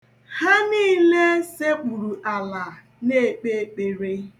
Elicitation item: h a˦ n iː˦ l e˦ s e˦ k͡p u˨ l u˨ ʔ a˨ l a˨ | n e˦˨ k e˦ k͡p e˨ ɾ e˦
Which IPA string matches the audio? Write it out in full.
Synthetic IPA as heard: h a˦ n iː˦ l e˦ s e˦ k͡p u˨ ɾ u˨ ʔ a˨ l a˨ | n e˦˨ k͡p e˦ k͡p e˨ ɾ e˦